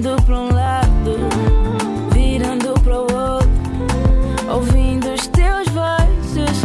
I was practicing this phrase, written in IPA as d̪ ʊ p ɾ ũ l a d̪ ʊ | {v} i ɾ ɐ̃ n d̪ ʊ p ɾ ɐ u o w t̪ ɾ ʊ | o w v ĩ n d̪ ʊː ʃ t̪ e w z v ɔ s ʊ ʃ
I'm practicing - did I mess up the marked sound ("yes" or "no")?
no